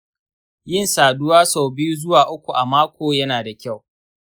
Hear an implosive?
no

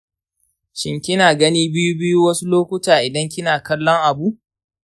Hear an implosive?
no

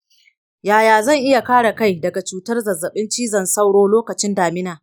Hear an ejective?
no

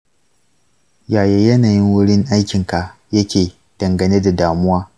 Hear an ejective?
no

